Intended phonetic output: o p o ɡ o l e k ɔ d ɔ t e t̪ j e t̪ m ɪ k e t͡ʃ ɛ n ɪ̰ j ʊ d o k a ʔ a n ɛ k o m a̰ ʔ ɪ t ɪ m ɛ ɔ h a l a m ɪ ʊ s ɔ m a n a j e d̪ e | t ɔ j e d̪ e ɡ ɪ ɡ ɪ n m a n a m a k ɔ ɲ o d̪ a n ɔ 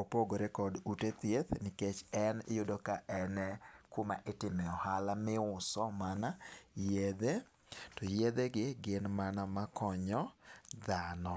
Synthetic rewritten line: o p o ɡ o ɾ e k ɔ d u t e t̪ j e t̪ n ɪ k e t͡ʃ ɛ n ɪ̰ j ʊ d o k a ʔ ɛ n ɛ k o m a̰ ʔ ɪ t ɪ m ɛ ɔ h a l a m ɪ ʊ s ɔ m a n a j e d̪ e | t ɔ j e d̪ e ɡ ɪ ɡ ɪ n m a n a m a k ɔ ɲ ɔ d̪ a n ɔ